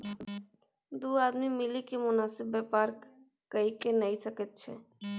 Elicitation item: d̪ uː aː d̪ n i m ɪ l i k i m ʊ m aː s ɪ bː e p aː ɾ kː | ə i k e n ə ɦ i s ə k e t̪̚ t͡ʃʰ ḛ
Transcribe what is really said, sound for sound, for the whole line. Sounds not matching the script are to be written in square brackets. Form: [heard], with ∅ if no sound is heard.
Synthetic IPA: d̪ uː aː d̪ [m] i m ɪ l i k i m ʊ [n] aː s ɪ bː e p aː ɾ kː | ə i k e n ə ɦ i s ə k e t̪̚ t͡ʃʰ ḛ